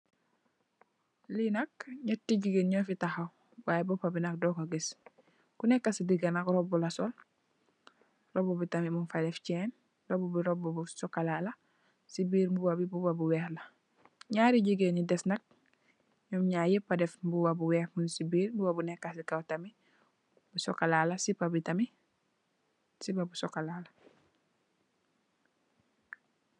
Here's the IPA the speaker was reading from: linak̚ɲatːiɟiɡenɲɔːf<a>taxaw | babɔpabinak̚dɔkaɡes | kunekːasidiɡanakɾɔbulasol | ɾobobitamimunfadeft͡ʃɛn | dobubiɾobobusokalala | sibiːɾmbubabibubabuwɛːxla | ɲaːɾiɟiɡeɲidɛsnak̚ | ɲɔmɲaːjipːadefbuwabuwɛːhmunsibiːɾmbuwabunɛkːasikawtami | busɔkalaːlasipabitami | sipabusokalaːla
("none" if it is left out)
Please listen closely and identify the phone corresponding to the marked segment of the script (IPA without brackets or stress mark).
i